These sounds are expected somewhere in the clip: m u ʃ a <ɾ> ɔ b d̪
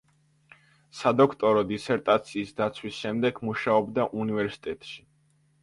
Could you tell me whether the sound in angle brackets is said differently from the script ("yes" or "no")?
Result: yes